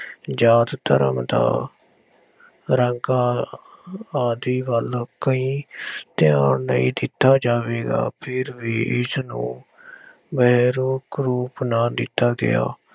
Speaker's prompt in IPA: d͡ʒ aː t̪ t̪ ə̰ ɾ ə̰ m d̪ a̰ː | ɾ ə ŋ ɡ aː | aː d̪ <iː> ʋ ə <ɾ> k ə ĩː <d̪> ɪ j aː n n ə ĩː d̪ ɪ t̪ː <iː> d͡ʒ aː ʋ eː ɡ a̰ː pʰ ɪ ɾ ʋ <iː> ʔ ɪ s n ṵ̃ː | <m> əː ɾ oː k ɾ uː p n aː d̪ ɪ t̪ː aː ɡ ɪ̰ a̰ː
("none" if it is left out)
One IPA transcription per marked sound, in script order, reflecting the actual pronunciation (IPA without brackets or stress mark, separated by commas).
iː, l, t̪, aː, iː, b